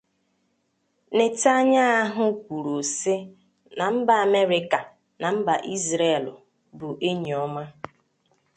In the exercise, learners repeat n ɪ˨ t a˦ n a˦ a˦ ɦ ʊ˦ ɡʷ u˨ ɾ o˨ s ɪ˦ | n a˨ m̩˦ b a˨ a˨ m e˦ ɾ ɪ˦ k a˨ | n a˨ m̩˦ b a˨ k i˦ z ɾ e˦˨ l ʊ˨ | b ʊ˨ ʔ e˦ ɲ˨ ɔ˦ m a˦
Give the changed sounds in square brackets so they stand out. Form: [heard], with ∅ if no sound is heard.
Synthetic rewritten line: n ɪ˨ t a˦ [ɲ] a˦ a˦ ɦ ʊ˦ [kʷ] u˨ ɾ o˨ s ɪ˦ | n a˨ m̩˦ b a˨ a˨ m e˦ ɾ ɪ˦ k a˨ | n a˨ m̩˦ b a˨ [ʔ] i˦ z ɾ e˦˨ l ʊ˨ | b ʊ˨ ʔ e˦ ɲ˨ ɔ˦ m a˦

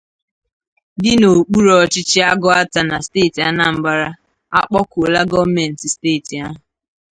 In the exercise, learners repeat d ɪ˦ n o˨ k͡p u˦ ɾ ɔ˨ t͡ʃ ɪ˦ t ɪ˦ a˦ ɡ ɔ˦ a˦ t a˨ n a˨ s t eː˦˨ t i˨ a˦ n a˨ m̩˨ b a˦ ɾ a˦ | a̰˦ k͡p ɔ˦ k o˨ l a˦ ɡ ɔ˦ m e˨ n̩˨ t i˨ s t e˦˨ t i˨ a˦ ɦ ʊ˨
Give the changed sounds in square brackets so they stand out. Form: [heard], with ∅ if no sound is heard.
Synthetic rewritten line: d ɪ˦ n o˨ k͡p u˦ ɾ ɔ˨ t͡ʃ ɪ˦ [t͡ʃ] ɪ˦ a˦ ɡ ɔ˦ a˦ t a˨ n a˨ s t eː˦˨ t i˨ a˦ n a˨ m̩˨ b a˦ ɾ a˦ | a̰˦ k͡p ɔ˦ k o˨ l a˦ ɡ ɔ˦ m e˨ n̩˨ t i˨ s t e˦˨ t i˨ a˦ ɦ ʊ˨

